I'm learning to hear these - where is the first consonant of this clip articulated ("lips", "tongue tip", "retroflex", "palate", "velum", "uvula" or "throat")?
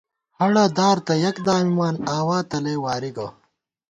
throat